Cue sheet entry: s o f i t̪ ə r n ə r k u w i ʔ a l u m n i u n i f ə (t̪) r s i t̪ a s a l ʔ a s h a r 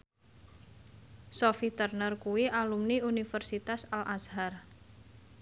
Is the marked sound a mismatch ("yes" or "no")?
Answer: yes